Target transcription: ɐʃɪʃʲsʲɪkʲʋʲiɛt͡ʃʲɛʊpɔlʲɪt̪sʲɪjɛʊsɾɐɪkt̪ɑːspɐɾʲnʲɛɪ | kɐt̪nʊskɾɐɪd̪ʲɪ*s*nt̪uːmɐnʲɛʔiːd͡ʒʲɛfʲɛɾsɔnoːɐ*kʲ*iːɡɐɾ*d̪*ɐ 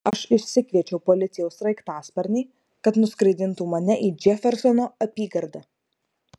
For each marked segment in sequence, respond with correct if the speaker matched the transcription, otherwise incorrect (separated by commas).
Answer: incorrect, incorrect, correct